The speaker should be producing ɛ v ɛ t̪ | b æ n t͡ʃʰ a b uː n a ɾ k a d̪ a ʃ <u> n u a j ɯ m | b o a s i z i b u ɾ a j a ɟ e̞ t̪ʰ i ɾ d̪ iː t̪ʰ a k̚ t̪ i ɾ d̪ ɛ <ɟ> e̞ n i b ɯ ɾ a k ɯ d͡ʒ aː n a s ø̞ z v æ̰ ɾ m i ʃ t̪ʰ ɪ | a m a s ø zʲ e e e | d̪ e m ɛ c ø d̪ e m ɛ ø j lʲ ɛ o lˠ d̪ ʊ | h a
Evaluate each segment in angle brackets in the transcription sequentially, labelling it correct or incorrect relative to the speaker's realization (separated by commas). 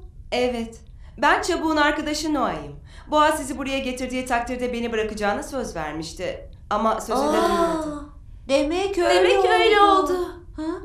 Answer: incorrect, incorrect